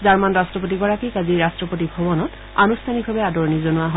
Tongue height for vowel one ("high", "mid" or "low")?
low